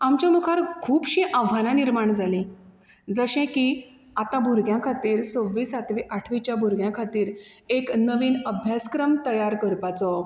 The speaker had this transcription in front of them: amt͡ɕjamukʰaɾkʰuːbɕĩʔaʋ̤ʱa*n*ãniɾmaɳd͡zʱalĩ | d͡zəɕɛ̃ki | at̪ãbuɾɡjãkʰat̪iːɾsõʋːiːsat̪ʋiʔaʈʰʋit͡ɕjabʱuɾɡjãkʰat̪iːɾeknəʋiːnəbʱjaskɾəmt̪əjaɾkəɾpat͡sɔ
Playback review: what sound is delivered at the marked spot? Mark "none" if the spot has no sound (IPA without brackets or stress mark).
n